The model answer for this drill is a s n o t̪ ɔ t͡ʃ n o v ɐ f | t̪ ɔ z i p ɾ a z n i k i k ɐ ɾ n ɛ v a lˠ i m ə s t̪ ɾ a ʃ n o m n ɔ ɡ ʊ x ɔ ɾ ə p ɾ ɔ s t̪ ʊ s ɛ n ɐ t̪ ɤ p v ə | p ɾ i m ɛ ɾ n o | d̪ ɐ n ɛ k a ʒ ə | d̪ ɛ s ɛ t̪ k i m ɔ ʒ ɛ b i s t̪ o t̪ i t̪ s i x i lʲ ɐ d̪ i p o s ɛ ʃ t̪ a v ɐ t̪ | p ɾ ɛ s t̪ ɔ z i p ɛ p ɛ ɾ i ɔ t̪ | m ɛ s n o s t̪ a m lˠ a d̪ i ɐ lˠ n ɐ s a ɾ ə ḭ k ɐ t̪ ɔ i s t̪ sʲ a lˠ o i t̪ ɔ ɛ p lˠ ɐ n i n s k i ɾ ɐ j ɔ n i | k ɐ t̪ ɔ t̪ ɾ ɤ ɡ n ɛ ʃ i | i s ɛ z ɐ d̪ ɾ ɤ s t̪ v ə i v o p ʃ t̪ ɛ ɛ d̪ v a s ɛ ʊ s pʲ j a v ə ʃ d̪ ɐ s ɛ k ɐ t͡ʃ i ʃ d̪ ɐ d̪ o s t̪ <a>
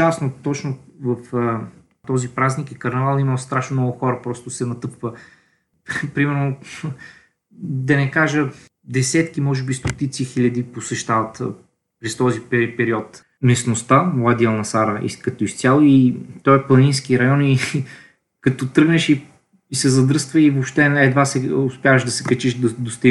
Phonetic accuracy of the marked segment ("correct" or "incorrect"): incorrect